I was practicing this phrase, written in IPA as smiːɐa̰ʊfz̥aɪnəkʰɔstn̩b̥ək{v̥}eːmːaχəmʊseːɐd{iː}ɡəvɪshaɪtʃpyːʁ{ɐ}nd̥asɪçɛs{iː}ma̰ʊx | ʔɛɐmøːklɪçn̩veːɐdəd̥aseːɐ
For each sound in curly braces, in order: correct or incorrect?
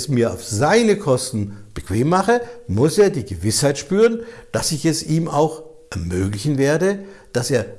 correct, correct, incorrect: ə, correct

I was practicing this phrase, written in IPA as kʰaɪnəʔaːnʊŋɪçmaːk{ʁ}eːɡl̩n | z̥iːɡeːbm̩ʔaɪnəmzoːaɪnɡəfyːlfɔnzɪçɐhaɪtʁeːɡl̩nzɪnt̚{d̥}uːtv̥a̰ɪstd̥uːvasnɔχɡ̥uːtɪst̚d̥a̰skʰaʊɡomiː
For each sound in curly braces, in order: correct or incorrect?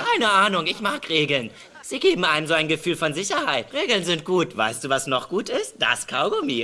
correct, incorrect: ɡ̥

